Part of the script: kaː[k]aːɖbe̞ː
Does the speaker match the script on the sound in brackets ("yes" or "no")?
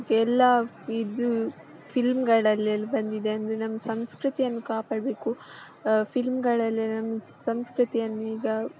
no